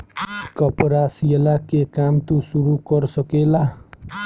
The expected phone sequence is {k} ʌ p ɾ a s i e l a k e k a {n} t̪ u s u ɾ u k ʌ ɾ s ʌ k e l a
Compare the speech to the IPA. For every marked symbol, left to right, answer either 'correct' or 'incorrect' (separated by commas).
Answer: correct, incorrect